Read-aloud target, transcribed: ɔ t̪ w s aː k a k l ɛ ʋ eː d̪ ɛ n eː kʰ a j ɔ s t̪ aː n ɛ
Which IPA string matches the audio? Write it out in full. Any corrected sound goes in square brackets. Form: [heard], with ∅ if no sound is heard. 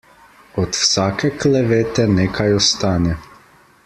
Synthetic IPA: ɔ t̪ w s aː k [ɛ] k l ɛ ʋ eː [t̪] ɛ n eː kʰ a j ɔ s t̪ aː n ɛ